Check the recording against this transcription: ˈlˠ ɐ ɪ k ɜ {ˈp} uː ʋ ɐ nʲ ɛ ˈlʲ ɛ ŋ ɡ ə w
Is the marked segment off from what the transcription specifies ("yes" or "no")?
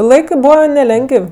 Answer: yes